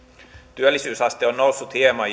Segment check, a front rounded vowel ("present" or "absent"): present